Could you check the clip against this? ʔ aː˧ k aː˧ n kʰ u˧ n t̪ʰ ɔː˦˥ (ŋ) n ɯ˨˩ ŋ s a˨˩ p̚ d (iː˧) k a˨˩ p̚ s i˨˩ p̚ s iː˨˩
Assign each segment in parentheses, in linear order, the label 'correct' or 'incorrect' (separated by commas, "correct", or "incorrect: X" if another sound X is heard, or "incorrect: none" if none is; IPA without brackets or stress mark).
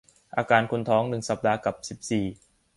correct, incorrect: aː˧